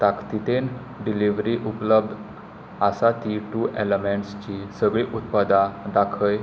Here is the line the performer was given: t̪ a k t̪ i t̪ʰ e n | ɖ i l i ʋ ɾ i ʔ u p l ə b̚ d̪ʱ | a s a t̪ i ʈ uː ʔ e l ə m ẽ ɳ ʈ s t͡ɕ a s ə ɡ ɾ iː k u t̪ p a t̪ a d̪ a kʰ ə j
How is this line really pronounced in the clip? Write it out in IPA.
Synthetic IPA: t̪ a k t̪ i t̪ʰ e n | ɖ i l i ʋ ɾ i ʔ u p l ə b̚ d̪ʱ | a s a t̪ i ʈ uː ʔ e l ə m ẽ ɳ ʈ s t͡ɕ i s ə ɡ ɭ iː ʔ u t̪ p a d̪ a d̪ a kʰ ə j